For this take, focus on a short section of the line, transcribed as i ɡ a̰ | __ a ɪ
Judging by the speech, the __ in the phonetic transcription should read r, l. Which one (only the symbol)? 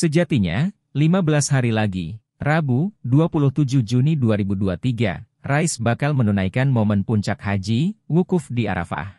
r